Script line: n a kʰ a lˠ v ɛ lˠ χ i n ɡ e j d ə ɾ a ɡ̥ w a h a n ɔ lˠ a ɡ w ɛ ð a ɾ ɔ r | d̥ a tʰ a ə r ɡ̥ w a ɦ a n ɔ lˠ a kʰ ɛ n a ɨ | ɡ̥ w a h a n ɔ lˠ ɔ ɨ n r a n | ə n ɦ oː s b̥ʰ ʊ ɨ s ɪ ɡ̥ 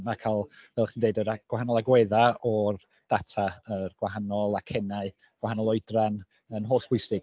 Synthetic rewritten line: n a kʰ a lˠ v ɛ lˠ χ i n d e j d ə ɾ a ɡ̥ w a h a n ɔ lˠ a ɡ w ɛ ð a ɔ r | d̥ a tʰ a ə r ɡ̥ w a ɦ a n ɔ lˠ a kʰ ɛ n a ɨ | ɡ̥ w a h a n ɔ lˠ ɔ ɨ d r a n | ə n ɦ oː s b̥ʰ ʊ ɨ s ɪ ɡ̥